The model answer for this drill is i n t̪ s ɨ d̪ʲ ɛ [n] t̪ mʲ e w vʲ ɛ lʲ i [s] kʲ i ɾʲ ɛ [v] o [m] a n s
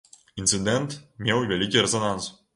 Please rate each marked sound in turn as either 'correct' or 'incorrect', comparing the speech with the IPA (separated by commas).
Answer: correct, incorrect, incorrect, incorrect